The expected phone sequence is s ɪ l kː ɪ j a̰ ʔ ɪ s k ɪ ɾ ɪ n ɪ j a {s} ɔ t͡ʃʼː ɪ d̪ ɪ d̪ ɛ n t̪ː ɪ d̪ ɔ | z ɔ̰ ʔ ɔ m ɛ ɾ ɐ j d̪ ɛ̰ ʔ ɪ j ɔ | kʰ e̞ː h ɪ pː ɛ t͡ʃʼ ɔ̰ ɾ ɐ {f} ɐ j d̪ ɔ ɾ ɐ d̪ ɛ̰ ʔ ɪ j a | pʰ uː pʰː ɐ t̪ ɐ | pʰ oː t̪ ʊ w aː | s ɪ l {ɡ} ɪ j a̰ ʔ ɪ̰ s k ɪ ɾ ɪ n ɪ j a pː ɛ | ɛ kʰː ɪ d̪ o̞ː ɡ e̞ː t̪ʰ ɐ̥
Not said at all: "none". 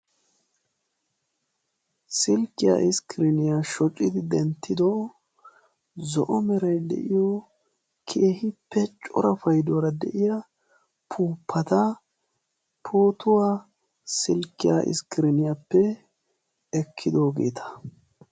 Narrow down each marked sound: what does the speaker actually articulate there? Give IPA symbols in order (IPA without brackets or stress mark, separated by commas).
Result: ʃ, f, k